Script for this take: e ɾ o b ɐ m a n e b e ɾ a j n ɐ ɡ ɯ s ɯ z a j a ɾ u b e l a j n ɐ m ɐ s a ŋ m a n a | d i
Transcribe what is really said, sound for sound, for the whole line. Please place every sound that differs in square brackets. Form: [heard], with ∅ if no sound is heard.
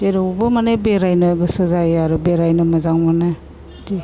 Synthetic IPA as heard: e ɾ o b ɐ m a n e b e ɾ a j n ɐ ɡ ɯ s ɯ z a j a ɾ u b e [ɾ] a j n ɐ m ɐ [z] a ŋ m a n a | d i